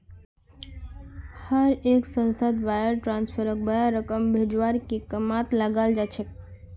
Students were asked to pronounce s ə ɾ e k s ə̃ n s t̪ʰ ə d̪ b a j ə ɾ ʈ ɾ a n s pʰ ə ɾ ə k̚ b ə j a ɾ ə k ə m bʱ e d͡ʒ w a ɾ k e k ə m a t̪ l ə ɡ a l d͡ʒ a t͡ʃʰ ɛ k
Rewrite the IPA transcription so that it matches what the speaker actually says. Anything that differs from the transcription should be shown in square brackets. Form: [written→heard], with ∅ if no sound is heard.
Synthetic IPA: [s→h] ə ɾ e k s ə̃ n s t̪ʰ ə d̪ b a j ə ɾ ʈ ɾ a n s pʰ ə ɾ ə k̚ b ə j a ɾ ə k ə m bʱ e d͡ʒ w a ɾ k e k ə m a t̪ l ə ɡ a l d͡ʒ a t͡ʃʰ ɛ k